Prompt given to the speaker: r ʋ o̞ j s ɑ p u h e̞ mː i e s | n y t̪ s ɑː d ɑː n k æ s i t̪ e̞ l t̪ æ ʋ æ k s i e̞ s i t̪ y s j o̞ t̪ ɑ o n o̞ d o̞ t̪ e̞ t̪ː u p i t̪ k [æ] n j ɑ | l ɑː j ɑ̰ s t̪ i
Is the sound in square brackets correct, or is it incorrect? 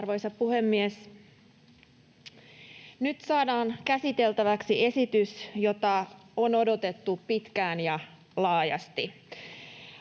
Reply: incorrect